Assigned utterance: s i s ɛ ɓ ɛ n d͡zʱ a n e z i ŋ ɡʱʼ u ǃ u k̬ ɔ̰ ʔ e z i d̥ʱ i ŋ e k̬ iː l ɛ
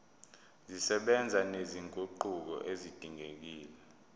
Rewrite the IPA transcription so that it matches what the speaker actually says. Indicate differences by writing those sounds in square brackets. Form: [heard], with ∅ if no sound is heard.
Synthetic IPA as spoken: [z] i s ɛ ɓ ɛ n d͡zʱ a n e z i ŋ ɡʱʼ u ǃ u k̬ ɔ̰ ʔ e z i d̥ʱ i ŋ e k̬ iː l ɛ